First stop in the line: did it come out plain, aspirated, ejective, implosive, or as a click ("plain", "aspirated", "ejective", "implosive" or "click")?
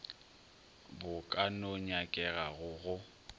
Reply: plain